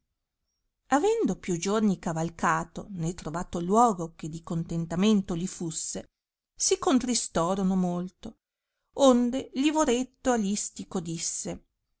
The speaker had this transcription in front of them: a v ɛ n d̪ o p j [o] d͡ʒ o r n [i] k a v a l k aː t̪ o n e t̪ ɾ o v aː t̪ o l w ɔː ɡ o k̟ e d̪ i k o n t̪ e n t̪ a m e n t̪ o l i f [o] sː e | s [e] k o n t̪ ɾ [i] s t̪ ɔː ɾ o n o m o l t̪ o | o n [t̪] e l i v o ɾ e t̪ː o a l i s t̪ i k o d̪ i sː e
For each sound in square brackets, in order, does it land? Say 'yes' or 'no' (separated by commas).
no, yes, no, no, yes, no